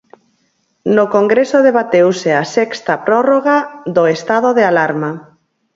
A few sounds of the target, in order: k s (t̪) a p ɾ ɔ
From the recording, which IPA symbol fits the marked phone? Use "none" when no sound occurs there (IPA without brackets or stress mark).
t̪